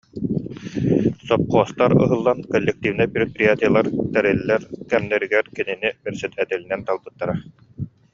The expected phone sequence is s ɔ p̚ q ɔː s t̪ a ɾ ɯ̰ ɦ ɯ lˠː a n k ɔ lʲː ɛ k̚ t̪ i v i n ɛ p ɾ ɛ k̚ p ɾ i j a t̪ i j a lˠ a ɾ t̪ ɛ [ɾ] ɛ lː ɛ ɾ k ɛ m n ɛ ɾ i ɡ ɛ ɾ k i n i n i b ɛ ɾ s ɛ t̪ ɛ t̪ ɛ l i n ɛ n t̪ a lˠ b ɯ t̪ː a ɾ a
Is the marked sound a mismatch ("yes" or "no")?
no